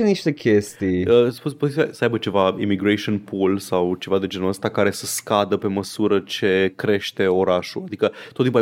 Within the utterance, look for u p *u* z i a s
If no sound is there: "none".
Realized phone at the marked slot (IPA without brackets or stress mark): o